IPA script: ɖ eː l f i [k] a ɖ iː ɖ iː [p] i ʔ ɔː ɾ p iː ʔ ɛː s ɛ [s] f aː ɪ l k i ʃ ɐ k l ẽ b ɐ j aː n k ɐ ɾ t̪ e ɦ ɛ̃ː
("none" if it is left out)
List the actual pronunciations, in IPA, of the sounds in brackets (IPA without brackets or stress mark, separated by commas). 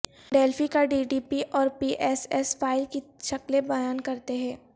k, p, s